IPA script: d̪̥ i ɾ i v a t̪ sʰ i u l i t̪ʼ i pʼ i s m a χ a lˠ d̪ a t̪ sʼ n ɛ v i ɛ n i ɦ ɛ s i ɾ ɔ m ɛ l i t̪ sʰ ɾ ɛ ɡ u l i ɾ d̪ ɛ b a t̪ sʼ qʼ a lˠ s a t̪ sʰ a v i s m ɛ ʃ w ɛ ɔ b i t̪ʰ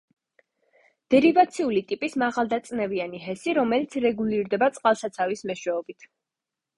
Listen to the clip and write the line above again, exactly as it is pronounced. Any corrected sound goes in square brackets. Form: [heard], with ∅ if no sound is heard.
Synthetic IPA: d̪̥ [ɛ] ɾ i v a t̪ sʰ i u l i t̪ʼ i pʼ i s m a [ʁ] a lˠ d̪ a t̪ sʼ n ɛ v i [a] n i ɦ ɛ s i ɾ ɔ m ɛ l i t̪ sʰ ɾ ɛ ɡ u l i ɾ d̪ ɛ b a t̪ sʼ qʼ a lˠ s a t̪ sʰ a v i s m ɛ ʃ w ɛ ɔ b i t̪ʰ